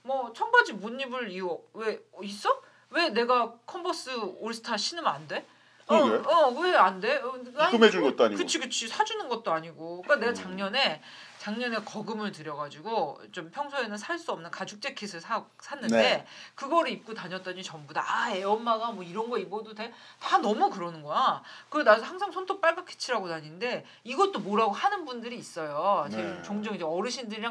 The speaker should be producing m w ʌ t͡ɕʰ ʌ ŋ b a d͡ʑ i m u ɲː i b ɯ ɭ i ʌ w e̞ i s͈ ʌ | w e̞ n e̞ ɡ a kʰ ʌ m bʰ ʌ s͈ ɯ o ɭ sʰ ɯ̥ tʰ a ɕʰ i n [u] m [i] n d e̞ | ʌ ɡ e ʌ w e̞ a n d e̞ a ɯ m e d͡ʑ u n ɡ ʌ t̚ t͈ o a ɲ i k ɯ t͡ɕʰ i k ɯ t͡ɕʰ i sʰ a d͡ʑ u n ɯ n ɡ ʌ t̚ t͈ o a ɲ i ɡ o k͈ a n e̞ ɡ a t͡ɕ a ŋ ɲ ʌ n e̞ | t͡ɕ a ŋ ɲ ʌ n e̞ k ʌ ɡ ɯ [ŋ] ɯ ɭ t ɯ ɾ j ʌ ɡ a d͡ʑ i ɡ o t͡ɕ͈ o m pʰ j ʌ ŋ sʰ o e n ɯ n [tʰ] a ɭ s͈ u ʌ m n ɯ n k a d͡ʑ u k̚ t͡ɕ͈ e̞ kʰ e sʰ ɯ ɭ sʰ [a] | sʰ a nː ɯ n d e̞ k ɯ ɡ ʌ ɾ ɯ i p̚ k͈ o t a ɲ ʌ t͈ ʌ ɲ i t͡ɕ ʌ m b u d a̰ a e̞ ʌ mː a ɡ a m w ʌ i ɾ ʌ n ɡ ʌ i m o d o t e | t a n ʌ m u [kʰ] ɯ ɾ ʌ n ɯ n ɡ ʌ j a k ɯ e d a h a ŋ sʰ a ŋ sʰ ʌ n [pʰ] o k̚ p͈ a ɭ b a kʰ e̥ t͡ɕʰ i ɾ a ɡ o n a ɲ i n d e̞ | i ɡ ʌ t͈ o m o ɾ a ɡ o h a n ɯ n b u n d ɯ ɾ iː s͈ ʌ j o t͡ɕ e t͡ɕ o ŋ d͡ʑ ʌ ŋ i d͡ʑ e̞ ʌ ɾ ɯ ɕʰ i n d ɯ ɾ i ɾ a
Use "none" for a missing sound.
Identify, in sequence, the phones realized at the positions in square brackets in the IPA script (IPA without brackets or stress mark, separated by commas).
ɯ, a, m, sʰ, a, k, tʰ